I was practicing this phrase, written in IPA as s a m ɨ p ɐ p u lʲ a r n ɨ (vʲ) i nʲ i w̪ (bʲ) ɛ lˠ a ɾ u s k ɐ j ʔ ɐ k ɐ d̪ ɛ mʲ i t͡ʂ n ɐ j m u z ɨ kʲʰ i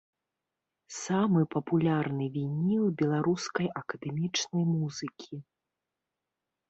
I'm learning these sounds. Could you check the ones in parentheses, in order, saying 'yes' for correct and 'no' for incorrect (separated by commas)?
yes, yes